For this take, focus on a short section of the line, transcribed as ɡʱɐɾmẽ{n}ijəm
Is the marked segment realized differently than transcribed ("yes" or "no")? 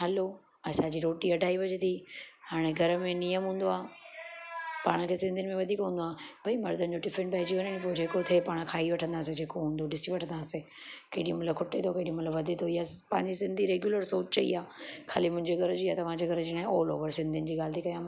no